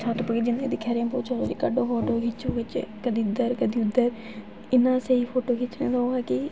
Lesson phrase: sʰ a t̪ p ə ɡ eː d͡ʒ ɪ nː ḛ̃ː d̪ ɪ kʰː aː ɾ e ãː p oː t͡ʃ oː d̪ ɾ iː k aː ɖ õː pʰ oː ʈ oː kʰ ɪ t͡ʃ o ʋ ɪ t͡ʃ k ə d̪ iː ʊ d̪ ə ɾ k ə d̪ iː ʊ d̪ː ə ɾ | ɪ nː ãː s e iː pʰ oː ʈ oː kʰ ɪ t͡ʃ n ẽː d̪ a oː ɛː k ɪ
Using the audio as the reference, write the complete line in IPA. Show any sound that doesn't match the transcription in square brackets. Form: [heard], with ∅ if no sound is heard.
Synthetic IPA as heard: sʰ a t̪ p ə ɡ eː d͡ʒ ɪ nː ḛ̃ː d̪ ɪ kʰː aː ɾ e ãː p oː t͡ʃ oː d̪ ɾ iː k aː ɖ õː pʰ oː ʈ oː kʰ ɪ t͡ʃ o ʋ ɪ t͡ʃ k ə d̪ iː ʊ d̪ ə ɾ k ə d̪ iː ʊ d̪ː ə ɾ | ɪ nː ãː s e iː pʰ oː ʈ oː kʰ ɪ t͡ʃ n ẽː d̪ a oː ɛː k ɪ

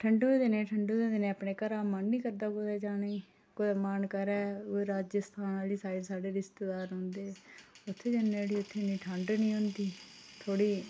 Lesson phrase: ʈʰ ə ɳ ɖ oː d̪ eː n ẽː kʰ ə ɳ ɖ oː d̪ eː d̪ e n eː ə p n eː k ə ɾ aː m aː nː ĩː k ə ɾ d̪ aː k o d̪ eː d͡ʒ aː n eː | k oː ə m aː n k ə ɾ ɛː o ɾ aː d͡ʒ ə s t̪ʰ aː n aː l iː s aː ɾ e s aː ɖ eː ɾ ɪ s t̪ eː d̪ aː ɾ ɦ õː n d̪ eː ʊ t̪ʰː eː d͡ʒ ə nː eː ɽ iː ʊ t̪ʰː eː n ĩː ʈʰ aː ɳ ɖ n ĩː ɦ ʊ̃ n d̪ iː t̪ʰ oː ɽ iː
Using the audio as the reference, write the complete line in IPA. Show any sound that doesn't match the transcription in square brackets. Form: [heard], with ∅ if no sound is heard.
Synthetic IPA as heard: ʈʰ ə ɳ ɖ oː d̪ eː n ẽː [ʈʰ] ə ɳ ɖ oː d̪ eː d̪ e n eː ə p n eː k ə ɾ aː m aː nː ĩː k ə ɾ d̪ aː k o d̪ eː d͡ʒ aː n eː | k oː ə m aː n k ə ɾ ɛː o ɾ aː d͡ʒ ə s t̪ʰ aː n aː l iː s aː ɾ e s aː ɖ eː ɾ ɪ s t̪ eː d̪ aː ɾ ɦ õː n d̪ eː ʊ t̪ʰː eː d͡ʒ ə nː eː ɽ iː ʊ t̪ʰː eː n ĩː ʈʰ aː ɳ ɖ n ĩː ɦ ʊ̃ n d̪ iː t̪ʰ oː ɽ iː

